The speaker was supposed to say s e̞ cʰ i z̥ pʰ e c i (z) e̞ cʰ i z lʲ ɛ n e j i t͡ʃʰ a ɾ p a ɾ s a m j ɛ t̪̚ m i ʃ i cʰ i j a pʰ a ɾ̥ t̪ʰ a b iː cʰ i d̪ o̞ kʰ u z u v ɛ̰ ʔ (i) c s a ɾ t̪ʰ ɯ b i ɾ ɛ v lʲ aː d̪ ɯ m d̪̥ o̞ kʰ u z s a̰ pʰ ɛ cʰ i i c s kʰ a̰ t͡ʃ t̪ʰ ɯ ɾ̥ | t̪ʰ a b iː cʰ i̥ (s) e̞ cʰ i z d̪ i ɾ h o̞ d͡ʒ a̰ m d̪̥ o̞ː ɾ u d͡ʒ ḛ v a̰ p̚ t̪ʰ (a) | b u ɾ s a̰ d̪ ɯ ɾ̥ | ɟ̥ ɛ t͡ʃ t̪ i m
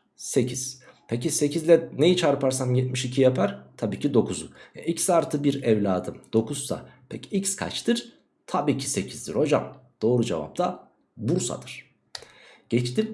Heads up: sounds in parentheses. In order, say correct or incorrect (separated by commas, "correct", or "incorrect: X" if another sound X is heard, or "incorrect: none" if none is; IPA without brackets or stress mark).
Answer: incorrect: s, correct, correct, correct